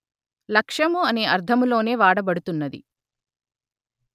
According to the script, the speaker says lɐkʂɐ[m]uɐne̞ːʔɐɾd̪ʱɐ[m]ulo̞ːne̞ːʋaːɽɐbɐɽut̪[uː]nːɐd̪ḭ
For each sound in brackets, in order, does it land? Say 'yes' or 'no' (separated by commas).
yes, yes, no